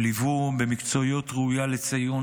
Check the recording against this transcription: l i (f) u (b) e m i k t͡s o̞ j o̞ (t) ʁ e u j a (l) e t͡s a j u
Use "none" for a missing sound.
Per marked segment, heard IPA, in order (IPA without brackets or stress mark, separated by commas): v, b, t, l